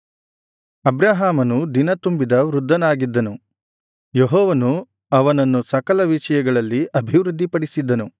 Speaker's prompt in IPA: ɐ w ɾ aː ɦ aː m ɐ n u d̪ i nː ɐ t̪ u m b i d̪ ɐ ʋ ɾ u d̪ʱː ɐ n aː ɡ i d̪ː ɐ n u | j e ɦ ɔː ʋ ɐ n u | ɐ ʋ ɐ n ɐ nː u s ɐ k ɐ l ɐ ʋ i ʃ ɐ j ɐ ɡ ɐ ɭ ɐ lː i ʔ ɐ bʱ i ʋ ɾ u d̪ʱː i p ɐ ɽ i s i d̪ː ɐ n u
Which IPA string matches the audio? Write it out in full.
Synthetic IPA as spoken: ɐ b ɾ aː ɦ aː m ɐ n u d̪ i n ɐ t̪ u m b i d̪ ɐ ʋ ɾ u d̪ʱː ɐ n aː ɡ i d̪ː ɐ n u | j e ɦ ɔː ʋ ɐ n u | ɐ ʋ ɐ n ɐ nː u s ɐ k ɐ l ɐ ʋ i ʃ ɐ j ɐ ɡ ɐ ɭ ɐ lː i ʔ ɐ bʱ i ʋ ɾ u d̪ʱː i p ɐ ɽ i s i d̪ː ɐ n u